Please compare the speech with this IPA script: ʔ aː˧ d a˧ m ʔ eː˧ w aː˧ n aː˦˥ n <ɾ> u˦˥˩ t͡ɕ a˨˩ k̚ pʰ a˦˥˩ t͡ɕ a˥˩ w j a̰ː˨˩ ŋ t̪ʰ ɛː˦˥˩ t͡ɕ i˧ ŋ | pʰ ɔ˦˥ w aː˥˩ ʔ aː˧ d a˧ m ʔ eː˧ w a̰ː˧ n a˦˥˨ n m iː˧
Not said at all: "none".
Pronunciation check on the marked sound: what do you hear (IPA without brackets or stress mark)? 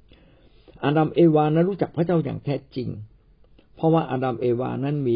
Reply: ɾ